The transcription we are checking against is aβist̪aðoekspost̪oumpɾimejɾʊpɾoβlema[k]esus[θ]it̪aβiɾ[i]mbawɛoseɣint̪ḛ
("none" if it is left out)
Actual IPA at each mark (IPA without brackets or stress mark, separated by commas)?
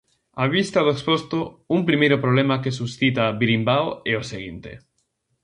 k, θ, i